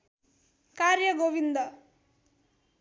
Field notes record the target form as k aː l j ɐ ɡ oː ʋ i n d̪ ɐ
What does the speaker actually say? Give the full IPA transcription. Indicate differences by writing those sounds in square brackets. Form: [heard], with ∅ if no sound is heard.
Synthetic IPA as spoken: k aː [ɾ] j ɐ ɡ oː ʋ i n d̪ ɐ